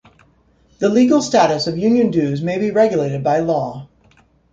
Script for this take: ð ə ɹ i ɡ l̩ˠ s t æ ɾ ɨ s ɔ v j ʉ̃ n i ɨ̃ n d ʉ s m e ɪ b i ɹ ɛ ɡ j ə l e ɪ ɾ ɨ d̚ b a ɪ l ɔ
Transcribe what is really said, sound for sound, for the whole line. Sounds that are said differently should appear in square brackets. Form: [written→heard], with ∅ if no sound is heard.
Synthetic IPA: ð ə [ɹ→l] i ɡ l̩ˠ s t æ ɾ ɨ s [ɔ→ʌ] v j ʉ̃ n [i→j] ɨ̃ n d ʉ [s→z] m e ɪ b i ɹ ɛ ɡ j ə l e ɪ ɾ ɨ d̚ b a ɪ l ɔ